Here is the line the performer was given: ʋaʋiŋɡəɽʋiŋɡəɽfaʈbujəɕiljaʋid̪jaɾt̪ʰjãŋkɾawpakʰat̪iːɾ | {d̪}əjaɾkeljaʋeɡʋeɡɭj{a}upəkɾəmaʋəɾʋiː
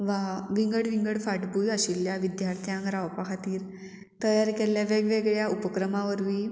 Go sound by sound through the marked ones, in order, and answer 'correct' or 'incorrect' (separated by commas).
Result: incorrect, correct